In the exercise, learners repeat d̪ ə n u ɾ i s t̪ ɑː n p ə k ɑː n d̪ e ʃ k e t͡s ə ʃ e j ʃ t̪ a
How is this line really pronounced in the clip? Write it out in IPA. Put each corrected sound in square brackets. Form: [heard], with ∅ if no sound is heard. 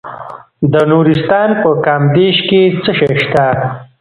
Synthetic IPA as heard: d̪ ə n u ɾ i s t̪ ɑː n p ə k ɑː [m] d̪ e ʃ k e t͡s ə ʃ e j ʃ t̪ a